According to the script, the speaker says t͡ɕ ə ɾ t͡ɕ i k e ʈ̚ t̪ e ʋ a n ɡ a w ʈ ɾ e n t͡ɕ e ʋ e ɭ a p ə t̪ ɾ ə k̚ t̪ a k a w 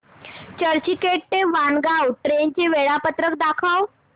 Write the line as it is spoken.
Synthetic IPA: t͡ɕ ə ɾ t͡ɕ i k e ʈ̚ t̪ e ʋ a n ɡ a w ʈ ɾ e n t͡ɕ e ʋ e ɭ a p ə t̪ ɾ ə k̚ d̪ a kʰ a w